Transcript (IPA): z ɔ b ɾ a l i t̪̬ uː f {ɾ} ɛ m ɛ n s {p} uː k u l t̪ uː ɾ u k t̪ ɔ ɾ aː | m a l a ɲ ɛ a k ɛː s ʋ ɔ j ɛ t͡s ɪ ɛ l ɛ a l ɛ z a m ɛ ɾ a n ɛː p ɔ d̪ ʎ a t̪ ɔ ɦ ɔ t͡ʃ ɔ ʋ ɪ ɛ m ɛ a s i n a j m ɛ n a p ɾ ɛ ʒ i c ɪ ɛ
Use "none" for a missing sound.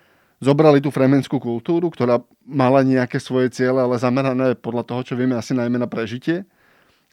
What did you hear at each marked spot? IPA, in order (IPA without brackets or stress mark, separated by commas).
ɾ, k